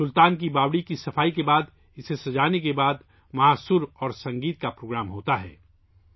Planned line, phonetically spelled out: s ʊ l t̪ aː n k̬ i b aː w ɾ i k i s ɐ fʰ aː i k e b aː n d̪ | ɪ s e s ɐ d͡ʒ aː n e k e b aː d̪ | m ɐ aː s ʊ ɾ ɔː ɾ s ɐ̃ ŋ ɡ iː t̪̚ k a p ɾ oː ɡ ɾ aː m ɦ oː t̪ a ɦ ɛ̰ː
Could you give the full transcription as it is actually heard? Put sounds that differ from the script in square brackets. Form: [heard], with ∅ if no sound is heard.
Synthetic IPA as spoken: s ʊ l t̪ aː n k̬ i b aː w [ɽ] i k i s ɐ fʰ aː i k e b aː [∅] d̪ | ɪ s e s ɐ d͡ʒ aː n e k e b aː d̪ | m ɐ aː s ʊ ɾ ɔː ɾ s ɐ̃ ŋ ɡ iː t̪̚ k a p ɾ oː ɡ ɾ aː m ɦ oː t̪ a ɦ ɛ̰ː